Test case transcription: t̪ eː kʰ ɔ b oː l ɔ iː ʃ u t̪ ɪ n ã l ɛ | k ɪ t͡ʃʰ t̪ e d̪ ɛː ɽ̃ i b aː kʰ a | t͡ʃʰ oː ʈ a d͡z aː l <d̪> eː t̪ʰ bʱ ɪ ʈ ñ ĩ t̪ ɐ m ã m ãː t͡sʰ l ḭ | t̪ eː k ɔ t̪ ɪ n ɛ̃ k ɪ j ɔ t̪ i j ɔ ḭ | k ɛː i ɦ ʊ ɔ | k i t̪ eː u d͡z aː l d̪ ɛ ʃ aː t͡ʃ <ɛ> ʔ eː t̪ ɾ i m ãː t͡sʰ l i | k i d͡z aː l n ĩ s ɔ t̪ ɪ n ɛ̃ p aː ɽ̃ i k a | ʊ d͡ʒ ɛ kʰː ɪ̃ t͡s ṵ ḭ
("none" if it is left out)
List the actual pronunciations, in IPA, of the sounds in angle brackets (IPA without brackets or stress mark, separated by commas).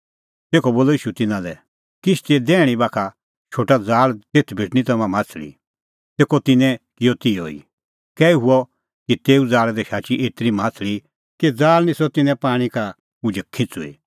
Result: t̪, i